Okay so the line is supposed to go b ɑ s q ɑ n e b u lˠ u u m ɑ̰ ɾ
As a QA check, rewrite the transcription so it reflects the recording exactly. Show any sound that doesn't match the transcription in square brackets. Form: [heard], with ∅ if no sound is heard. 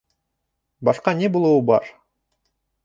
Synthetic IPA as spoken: b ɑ [ʃ] q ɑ n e b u lˠ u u [b] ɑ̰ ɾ